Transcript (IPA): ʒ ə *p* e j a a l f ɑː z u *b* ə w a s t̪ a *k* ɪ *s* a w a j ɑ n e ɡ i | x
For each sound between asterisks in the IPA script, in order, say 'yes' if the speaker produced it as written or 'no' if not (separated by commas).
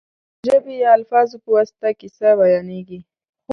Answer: no, no, yes, yes